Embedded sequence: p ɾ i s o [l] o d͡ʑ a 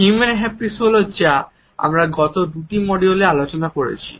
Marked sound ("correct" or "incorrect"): correct